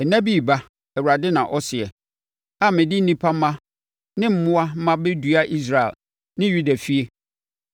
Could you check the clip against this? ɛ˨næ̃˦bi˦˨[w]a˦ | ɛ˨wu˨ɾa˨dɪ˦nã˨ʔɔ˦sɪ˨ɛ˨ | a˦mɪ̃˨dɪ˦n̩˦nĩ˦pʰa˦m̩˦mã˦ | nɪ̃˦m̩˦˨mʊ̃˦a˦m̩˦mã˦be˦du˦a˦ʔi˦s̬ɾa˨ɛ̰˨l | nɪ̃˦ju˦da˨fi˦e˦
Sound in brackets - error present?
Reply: yes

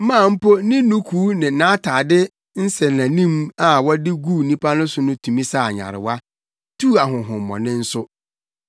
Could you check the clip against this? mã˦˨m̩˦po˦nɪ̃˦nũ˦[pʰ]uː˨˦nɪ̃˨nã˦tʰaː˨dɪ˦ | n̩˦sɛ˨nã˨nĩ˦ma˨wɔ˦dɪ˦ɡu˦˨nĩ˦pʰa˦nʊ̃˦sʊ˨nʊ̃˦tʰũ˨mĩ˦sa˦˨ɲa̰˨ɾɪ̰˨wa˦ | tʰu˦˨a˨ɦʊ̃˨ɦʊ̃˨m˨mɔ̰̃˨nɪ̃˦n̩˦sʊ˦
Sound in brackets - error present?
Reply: yes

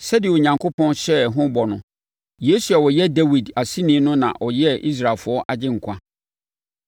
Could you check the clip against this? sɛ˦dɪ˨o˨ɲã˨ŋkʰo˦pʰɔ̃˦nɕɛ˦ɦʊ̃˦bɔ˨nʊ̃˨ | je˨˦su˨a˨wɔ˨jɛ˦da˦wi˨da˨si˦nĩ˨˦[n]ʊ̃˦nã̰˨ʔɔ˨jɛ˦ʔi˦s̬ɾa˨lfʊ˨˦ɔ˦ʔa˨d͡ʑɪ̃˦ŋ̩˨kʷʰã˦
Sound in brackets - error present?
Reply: no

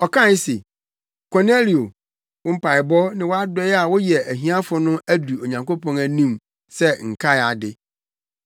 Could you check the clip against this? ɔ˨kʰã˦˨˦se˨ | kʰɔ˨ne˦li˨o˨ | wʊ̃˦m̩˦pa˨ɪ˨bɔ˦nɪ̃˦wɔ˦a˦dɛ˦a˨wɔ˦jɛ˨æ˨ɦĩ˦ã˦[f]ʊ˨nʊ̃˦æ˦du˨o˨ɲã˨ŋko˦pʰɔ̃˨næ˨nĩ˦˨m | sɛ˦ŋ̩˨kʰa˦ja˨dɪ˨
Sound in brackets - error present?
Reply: no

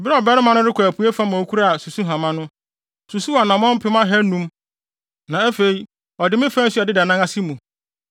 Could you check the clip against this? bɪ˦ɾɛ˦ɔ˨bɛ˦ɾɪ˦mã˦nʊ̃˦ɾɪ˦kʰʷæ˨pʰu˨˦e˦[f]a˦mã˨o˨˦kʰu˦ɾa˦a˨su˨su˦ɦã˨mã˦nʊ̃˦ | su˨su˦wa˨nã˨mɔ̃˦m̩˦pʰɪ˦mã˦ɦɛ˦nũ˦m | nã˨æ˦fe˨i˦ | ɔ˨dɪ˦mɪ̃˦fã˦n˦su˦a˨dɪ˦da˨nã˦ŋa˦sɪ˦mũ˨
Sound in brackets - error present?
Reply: no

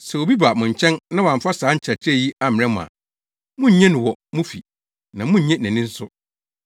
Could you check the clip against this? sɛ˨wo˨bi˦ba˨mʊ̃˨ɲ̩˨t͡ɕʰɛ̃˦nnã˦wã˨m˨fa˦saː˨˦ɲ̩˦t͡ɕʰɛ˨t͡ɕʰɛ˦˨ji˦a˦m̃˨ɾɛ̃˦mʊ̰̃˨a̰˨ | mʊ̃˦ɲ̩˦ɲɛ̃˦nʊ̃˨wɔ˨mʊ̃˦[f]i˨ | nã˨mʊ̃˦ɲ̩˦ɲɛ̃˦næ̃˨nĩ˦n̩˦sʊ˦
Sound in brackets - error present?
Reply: no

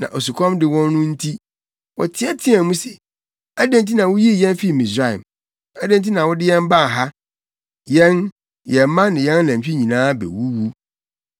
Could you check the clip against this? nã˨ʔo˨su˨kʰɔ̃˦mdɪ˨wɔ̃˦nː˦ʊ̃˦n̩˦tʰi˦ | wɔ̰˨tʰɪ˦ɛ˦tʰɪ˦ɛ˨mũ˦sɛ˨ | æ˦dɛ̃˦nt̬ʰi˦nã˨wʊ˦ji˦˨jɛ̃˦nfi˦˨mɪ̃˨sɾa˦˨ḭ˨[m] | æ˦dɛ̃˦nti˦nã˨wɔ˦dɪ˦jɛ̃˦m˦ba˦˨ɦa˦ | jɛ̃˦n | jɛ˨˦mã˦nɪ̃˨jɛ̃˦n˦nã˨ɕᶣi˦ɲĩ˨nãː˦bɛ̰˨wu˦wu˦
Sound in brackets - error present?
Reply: no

